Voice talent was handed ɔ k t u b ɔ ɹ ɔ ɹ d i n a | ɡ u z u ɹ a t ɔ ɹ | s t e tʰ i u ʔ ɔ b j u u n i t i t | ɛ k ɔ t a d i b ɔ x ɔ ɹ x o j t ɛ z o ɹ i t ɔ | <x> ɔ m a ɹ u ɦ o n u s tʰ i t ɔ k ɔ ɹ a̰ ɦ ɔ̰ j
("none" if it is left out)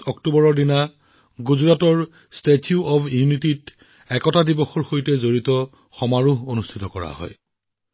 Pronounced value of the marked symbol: x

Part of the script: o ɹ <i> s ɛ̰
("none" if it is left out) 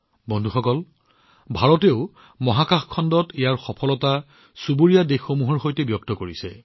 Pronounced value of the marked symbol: i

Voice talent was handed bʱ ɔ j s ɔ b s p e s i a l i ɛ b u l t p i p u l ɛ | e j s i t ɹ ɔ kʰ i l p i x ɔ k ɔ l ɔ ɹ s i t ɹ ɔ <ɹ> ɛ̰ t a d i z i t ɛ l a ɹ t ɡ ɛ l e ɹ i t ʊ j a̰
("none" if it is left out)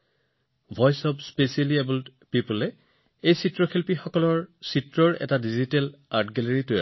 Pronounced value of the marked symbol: ɹ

